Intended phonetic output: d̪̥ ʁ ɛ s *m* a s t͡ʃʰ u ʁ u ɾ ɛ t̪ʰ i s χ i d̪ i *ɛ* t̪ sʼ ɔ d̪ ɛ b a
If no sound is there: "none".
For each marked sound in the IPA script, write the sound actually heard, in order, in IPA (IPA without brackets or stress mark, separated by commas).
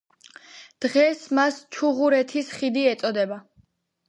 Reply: m, ɛ